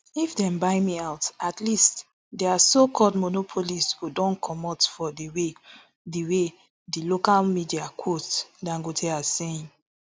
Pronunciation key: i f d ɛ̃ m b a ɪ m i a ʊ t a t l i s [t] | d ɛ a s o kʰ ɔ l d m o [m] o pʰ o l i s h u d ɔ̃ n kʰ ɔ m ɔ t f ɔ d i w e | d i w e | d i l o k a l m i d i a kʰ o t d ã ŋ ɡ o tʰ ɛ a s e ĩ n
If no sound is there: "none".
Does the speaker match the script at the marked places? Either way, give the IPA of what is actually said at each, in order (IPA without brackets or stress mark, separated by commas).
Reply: t, n